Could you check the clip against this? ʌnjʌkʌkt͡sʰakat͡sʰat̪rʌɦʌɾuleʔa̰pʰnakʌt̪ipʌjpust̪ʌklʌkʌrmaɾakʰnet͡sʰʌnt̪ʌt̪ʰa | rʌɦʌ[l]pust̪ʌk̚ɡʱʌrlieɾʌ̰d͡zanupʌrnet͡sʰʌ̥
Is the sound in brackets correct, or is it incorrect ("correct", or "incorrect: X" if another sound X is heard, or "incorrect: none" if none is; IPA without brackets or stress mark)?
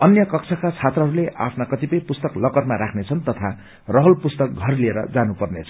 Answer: correct